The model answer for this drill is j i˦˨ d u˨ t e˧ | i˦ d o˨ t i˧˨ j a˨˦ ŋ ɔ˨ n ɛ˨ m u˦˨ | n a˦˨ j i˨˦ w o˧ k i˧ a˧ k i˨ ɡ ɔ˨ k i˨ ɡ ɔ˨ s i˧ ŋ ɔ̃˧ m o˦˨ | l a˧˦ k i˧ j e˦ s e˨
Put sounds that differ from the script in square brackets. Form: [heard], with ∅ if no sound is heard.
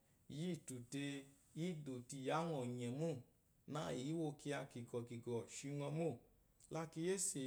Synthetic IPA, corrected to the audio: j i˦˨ [t] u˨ t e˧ | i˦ d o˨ t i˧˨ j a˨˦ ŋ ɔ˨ [ɲ] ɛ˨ m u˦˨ | n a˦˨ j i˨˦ w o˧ k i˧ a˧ k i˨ ɡ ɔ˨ k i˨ ɡ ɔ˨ [ʃ] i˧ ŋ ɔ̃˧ m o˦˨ | l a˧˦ k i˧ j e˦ s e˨